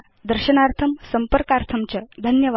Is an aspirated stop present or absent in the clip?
present